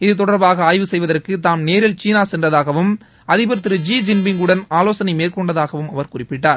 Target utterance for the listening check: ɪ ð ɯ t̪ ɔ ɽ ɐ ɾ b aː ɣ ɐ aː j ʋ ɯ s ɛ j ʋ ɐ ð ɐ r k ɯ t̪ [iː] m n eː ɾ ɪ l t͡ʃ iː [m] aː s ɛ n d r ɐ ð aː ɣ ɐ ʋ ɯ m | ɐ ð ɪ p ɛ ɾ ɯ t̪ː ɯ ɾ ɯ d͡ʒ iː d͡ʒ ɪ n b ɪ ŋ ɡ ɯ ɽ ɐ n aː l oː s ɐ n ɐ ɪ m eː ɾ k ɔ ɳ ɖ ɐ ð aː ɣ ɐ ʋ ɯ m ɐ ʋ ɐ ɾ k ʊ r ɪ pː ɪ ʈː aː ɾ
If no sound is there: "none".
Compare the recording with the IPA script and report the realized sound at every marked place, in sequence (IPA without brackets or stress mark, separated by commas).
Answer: aː, n